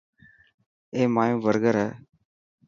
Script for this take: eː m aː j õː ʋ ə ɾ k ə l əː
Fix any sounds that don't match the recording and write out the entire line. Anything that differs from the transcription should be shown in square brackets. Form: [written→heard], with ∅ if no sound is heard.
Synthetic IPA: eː m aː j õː ʋ ə ɾ [k→ɡ] ə [l→ɾ] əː